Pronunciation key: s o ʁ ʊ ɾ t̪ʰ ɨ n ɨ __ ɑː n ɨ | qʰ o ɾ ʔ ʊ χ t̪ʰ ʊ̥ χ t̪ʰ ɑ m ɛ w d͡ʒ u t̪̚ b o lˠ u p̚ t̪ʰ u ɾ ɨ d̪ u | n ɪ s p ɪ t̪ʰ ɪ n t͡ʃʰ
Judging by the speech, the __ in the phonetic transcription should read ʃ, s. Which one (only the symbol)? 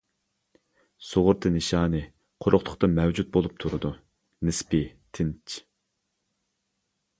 ʃ